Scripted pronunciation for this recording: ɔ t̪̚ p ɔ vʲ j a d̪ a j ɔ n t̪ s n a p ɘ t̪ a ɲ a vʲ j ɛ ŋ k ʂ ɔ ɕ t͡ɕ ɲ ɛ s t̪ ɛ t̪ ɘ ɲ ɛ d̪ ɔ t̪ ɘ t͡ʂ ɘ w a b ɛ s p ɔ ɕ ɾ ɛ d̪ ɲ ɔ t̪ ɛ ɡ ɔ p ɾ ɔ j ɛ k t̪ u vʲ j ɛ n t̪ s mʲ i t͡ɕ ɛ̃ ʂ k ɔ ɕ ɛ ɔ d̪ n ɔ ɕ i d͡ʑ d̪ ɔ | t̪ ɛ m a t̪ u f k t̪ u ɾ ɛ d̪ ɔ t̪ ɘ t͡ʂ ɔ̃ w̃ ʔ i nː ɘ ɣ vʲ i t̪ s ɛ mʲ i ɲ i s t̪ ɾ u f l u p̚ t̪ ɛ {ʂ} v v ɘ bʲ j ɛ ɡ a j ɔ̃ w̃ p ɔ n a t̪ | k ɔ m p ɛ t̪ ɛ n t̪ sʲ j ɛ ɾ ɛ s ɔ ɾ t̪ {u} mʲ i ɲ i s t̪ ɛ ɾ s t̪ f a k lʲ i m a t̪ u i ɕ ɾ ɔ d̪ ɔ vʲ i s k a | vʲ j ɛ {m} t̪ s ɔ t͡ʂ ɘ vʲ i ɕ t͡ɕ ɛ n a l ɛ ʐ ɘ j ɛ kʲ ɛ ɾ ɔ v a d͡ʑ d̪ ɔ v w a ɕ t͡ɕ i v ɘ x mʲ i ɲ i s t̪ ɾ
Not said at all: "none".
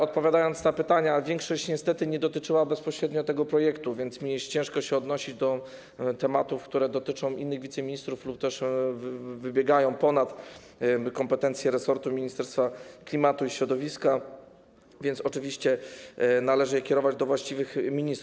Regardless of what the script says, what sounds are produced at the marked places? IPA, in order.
ʂ, u, n

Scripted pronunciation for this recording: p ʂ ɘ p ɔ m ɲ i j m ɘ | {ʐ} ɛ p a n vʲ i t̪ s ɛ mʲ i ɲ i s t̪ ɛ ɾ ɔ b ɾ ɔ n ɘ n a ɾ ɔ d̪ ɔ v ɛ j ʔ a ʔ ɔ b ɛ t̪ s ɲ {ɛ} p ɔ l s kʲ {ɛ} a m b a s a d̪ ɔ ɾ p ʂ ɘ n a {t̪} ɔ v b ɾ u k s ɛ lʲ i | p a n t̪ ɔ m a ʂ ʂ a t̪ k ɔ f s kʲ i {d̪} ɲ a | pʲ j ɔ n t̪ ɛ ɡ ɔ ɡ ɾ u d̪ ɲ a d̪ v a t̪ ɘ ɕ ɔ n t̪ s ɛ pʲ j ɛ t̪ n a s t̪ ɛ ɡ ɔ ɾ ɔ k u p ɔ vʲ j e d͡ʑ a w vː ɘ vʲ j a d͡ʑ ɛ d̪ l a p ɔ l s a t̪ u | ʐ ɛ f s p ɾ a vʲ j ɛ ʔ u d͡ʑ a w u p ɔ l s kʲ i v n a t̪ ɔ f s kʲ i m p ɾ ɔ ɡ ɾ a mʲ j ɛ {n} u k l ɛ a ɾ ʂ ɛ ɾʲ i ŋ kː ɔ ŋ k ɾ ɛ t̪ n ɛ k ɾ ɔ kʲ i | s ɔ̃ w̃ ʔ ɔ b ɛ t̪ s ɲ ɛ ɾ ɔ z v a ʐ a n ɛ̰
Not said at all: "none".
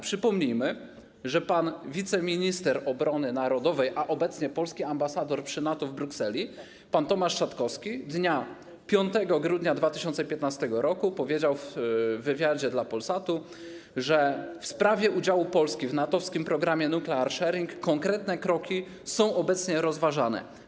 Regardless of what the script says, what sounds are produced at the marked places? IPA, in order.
ʐ, ɛ, i, t̪, d̪, n

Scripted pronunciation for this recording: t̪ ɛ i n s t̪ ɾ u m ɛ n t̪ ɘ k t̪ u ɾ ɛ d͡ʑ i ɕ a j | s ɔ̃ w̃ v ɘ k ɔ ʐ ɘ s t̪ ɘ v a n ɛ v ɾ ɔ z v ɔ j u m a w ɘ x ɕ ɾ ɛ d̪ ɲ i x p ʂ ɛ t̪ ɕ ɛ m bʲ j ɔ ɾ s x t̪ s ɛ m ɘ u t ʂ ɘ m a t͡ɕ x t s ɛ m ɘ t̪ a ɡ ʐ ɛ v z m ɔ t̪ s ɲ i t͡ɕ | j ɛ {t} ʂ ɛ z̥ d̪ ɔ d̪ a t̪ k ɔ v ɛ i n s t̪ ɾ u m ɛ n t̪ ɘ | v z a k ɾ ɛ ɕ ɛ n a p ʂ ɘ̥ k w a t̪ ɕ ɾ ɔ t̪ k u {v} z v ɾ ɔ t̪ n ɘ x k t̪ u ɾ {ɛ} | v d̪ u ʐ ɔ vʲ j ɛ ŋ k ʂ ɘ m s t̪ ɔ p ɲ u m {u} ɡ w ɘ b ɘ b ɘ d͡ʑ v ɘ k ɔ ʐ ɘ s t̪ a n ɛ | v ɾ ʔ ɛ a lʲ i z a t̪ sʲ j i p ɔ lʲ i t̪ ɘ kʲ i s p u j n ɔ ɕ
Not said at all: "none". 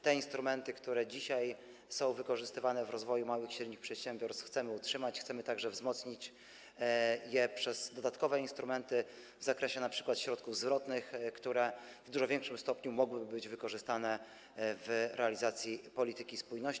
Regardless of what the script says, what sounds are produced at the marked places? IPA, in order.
p, v, ɛ, ɔ

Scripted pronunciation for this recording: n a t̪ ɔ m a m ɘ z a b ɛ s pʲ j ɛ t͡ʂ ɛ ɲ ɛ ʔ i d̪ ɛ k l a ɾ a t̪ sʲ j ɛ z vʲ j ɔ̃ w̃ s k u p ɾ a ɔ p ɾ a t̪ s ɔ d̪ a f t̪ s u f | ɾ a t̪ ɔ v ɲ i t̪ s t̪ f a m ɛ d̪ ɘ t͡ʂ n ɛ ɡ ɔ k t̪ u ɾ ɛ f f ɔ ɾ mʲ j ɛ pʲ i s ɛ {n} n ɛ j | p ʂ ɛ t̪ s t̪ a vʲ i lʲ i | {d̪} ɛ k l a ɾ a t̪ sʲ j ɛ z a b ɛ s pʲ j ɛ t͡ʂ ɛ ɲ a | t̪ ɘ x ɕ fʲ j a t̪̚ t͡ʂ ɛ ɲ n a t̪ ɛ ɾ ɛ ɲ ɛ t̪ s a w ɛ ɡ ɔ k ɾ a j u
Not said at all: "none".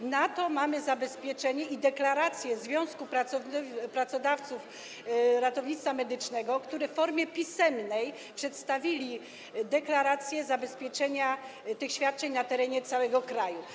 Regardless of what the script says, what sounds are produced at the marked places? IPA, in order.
m, d̪

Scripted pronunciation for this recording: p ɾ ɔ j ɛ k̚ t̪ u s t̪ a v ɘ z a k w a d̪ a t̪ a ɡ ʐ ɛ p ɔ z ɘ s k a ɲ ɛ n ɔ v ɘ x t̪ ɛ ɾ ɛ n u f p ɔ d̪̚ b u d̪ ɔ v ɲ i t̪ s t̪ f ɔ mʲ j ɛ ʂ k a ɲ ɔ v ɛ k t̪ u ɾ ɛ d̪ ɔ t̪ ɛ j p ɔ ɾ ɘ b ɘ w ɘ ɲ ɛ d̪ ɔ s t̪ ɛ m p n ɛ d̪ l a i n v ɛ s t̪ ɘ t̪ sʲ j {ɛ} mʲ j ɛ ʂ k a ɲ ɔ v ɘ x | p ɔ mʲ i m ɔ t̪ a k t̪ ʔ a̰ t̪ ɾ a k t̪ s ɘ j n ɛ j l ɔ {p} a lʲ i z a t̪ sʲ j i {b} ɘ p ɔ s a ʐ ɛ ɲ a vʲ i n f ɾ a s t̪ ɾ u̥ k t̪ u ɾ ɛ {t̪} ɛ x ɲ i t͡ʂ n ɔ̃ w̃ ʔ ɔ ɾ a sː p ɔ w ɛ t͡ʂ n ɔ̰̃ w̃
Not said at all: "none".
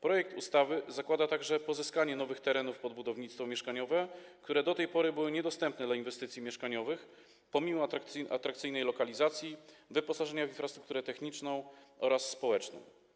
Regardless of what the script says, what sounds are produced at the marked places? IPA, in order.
i, k, v, t̪

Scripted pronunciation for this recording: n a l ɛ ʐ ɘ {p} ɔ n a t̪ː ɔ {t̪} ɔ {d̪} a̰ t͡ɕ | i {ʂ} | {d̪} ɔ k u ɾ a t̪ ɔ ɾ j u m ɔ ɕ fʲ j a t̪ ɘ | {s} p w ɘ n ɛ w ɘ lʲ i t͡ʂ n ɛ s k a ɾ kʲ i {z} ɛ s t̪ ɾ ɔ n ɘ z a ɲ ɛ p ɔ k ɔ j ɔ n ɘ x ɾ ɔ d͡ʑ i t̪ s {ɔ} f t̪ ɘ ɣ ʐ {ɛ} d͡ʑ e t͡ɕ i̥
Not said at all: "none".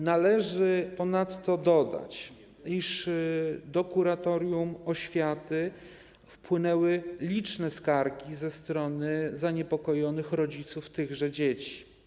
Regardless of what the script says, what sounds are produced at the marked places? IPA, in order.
p, d̪, d̪, ʂ, d̪, f, z, u, ɛ

